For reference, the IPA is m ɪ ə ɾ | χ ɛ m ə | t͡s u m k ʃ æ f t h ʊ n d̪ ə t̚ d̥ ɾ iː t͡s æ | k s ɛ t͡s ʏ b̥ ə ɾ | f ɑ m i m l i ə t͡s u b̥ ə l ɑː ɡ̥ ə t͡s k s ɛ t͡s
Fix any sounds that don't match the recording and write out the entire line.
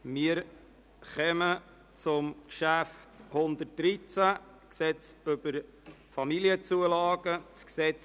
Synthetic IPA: m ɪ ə ɾ | χ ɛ m ə | t͡s ʊ m k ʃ æ f t h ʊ n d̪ ə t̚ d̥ ɾ i t͡s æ | k s ɛ t͡s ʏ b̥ ə ɾ | f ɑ m i l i ə t͡s u ə l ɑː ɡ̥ ə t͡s k s ɛ t͡s